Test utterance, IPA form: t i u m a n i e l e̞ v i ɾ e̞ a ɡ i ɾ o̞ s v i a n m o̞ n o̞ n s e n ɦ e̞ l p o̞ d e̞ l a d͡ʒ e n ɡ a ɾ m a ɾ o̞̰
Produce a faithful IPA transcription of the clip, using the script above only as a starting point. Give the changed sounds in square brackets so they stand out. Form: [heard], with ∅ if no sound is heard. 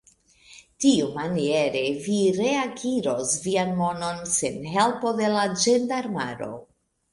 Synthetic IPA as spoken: t i u m a n i e [ɾ] e̞ v i ɾ e̞ a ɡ i ɾ o̞ s v i a n m o̞ n o̞ n s e n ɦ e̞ l p o̞ d e̞ l a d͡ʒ e n [d] a ɾ m a ɾ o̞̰